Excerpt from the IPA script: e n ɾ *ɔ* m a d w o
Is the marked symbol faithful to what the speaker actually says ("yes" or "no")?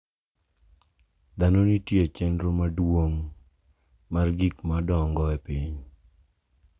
no